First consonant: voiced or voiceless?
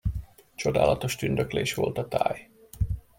voiceless